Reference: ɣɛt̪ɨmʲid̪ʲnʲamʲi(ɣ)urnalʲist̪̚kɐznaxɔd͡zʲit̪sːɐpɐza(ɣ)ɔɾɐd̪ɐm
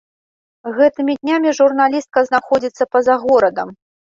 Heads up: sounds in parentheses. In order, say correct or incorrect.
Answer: incorrect: ʐ, correct

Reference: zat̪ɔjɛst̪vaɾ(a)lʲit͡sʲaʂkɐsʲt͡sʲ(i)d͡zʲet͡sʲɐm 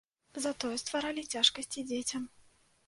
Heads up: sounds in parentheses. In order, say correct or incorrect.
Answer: correct, correct

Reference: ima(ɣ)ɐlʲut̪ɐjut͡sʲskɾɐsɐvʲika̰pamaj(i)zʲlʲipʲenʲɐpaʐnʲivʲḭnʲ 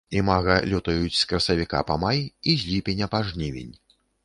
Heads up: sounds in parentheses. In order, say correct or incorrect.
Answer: correct, correct

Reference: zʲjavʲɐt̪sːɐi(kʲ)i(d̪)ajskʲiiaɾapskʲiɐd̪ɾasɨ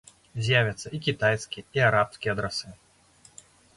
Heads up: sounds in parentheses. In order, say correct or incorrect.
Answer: correct, incorrect: t̪

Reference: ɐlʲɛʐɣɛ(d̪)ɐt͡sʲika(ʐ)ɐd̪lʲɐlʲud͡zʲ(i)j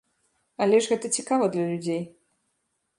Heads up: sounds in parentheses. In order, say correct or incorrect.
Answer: incorrect: t̪, incorrect: v, incorrect: e

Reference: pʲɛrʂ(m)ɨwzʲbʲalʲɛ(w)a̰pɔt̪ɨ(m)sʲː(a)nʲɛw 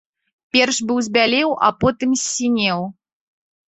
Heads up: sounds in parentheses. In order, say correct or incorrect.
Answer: incorrect: b, correct, correct, incorrect: i

